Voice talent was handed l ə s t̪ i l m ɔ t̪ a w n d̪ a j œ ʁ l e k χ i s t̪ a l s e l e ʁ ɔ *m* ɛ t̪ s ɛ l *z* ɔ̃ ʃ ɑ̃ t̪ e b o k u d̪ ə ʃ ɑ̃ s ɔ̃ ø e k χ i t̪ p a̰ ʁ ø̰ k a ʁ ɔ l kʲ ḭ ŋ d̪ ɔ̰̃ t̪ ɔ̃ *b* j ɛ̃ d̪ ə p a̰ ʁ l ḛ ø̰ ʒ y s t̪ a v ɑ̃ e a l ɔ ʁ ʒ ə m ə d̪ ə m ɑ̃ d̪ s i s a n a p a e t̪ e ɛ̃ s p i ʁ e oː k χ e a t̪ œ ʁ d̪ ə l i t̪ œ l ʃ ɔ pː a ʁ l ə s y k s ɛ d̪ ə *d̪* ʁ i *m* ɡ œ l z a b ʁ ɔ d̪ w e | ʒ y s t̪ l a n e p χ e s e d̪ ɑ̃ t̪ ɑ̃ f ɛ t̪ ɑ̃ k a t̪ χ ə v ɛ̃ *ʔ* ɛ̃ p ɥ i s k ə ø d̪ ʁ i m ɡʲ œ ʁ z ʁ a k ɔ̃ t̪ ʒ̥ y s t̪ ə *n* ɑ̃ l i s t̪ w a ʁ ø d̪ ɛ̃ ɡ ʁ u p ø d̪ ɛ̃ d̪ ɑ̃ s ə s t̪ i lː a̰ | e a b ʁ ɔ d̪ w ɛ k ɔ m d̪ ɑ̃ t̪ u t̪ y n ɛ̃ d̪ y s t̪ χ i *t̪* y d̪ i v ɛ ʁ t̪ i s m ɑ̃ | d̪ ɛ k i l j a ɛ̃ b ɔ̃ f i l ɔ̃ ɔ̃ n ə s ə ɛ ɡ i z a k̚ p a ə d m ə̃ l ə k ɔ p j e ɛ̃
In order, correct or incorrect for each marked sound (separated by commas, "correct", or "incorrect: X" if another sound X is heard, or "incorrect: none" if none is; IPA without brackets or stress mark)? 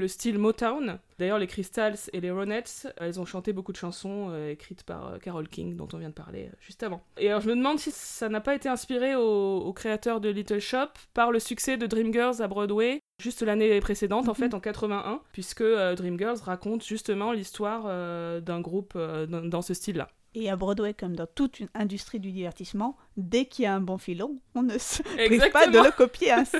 incorrect: n, correct, incorrect: v, correct, correct, correct, incorrect: m, incorrect: d̪